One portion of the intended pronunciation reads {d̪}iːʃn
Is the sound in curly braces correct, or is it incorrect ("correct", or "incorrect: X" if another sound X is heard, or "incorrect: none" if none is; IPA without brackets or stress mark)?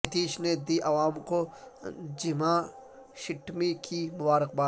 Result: incorrect: t̪